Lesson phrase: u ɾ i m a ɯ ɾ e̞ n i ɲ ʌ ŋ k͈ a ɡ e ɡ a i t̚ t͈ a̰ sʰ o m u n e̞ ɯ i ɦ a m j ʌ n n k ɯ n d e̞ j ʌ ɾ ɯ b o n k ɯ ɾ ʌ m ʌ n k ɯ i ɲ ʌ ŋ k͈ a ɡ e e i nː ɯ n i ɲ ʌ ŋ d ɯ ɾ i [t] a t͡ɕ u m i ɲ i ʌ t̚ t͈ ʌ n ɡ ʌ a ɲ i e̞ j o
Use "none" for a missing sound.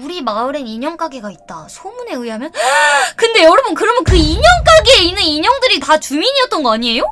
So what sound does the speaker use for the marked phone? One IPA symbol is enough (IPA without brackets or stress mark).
t